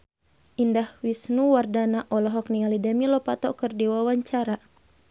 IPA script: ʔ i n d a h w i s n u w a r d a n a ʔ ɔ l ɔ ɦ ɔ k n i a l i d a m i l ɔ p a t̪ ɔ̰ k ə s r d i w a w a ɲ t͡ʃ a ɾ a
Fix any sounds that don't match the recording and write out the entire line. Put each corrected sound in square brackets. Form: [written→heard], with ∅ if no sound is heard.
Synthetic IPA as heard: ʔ i n d a h w i s n u w a r d a n a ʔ ɔ l ɔ ɦ ɔ k n i a l i d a m i l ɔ p a t̪ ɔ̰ k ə [s→∅] r d i w a w a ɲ t͡ʃ a ɾ a